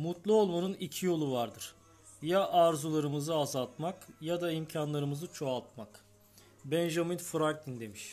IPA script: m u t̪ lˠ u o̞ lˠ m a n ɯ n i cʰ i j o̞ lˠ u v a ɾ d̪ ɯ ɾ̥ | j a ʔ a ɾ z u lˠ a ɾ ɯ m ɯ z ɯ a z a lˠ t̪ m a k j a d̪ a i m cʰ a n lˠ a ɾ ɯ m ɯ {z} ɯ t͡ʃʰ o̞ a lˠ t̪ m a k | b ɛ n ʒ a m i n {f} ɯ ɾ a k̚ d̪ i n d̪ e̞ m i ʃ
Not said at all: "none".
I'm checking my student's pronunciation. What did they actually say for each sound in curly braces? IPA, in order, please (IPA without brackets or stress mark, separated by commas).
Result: z, f